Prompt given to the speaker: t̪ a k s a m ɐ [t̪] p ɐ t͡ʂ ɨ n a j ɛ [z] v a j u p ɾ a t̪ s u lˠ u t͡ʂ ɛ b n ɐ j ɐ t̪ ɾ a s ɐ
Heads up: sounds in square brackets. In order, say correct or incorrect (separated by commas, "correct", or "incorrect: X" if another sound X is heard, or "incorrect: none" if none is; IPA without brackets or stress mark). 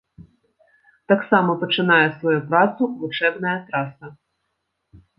incorrect: none, incorrect: s